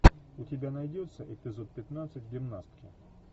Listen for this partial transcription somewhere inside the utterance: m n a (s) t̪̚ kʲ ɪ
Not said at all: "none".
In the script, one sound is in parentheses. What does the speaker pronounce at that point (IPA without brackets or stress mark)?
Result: s